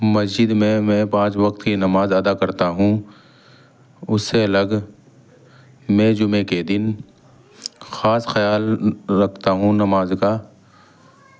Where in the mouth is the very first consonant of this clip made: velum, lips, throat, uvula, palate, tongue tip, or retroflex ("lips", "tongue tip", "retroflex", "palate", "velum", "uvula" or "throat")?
lips